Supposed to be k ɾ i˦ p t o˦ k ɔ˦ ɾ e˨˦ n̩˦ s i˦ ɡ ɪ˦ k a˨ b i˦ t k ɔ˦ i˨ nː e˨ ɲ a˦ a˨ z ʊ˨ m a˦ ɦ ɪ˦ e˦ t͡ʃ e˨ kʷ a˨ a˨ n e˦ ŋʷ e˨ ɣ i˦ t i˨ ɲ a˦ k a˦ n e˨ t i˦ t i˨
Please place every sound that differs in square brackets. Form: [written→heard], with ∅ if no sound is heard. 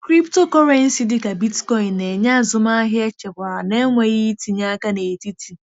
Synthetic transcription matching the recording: k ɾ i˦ p t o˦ k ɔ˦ ɾ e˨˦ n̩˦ s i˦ [ɡ→d] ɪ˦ k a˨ b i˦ t k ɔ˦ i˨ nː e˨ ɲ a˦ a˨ z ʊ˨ m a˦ ɦ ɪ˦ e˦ t͡ʃ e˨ kʷ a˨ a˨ n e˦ ŋʷ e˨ ɣ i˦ t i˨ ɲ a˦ k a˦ n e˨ t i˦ t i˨